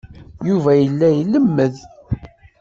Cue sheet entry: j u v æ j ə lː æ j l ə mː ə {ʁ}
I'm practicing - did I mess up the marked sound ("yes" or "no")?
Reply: yes